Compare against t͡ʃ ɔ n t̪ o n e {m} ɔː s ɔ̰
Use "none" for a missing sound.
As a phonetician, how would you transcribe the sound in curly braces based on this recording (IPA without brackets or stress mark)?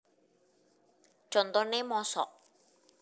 m